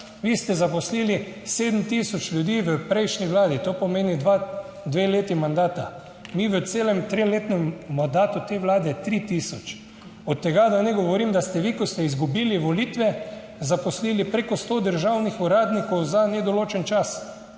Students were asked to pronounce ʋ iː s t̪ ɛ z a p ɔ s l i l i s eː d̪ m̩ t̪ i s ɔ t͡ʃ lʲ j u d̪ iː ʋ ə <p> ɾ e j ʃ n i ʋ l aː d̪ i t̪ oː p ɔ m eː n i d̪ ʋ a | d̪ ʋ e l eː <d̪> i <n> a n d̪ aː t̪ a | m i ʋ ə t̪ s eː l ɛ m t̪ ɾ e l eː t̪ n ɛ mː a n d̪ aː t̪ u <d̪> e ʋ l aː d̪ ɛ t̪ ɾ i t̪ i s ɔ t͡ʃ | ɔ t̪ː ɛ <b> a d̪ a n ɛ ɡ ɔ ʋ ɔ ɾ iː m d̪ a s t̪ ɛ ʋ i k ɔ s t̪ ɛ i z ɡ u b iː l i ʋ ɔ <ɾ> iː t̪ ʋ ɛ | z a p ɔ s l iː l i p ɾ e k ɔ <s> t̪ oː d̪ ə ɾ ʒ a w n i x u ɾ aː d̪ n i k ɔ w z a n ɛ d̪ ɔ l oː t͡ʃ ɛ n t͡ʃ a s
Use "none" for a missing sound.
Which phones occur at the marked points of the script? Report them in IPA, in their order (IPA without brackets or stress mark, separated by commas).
p, t̪, m, t̪, ɡ, l, s